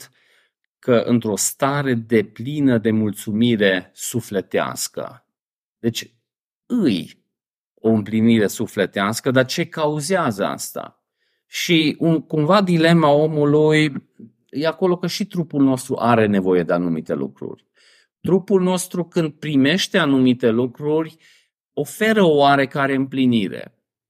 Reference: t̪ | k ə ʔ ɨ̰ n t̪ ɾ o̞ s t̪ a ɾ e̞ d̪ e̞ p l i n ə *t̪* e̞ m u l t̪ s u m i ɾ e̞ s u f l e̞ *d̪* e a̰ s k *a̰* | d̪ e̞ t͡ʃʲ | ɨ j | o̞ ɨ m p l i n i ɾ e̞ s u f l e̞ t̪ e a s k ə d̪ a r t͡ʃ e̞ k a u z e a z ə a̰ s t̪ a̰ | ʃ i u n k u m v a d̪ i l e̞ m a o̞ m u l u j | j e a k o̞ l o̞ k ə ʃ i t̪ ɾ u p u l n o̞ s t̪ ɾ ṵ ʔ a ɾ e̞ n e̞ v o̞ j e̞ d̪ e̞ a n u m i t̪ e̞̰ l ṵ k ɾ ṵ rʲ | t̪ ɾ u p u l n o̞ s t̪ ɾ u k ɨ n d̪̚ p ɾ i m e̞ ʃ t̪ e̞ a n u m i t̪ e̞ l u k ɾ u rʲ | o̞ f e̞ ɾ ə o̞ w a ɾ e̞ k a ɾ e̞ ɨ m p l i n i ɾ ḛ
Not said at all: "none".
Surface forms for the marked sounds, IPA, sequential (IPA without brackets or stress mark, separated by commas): d̪, t̪, ə̰